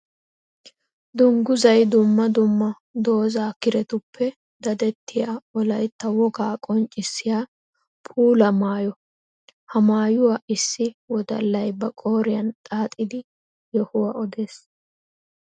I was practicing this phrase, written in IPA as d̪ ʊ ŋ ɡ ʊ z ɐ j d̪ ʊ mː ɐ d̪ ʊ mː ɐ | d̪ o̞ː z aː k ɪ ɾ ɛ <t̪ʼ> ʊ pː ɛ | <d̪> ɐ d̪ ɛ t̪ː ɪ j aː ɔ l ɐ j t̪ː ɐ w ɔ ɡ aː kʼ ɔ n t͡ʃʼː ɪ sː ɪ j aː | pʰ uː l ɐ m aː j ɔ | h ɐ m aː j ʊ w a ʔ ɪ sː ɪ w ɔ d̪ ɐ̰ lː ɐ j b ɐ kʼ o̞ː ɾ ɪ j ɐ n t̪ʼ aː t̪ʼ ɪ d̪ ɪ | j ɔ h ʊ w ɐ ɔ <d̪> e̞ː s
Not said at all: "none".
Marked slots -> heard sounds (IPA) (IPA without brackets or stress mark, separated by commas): t̪, d̪, d̪